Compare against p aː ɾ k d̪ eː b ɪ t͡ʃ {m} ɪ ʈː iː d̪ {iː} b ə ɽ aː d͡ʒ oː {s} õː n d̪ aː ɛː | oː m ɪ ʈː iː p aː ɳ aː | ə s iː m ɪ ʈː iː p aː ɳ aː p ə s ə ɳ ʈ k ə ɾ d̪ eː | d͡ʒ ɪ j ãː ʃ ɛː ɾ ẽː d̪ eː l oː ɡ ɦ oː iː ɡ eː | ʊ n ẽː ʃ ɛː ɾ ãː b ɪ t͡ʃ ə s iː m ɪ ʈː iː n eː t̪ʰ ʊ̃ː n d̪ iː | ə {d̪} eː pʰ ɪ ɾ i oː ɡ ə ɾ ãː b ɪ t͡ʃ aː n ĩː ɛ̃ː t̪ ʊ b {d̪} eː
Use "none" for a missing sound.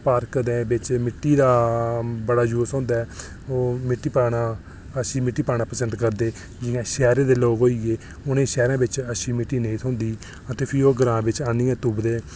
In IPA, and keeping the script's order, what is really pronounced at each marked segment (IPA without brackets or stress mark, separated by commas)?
m, aː, s, t̪, d̪